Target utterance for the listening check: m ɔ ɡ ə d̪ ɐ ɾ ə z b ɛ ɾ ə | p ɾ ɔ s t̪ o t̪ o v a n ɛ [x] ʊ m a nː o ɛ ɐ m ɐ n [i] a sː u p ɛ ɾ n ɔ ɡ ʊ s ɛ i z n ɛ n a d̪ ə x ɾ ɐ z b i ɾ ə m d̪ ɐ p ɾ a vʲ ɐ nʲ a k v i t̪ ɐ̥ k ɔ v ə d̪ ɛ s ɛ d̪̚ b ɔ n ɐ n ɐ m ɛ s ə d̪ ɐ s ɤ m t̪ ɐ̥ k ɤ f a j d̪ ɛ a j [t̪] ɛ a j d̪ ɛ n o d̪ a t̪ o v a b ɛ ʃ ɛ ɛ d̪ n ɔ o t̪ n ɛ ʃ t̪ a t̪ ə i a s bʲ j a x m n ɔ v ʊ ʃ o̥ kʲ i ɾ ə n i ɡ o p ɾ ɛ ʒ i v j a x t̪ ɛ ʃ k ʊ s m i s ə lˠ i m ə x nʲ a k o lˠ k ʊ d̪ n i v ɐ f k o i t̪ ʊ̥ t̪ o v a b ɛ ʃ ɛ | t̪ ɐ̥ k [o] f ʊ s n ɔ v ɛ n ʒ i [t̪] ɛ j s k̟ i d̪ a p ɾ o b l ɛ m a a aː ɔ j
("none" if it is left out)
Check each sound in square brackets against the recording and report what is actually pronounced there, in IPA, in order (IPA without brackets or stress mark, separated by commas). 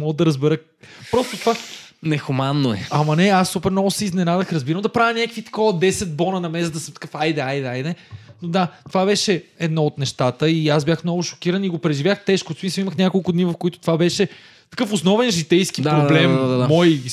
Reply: x, ɛ, d̪, ɤ, t̪